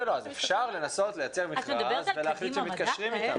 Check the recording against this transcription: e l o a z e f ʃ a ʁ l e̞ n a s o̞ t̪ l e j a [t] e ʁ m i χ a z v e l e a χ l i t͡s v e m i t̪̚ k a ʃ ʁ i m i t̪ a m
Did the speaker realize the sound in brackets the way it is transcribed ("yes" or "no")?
no